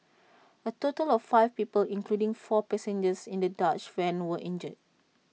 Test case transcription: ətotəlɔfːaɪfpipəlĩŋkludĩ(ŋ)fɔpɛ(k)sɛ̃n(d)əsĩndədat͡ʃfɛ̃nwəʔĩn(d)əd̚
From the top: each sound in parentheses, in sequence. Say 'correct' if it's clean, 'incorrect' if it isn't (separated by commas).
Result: correct, incorrect, incorrect, incorrect